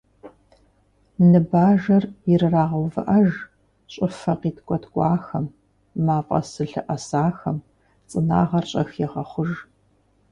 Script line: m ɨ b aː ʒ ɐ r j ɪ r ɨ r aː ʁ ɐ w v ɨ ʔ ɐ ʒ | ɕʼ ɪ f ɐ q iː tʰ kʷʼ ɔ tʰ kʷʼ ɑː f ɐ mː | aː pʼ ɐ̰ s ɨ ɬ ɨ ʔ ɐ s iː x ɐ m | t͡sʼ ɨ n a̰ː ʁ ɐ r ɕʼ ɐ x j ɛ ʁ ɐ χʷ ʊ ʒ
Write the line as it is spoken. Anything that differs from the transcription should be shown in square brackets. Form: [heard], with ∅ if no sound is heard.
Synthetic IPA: [n] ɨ b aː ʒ ɐ r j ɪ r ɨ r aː ʁ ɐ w v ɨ ʔ ɐ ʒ | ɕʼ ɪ f ɐ q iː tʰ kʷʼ ɔ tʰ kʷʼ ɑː [x] ɐ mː | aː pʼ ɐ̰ s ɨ ɬ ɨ ʔ ɐ s [aː] x ɐ m | t͡sʼ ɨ n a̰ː ʁ ɐ r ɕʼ ɐ x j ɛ ʁ ɐ χʷ ʊ ʒ